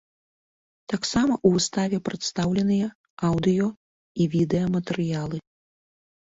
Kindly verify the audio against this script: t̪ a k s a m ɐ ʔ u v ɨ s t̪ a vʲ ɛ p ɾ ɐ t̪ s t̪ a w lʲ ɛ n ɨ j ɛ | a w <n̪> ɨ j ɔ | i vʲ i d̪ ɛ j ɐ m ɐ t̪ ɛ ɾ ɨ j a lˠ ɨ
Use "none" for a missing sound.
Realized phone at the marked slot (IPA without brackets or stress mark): d̪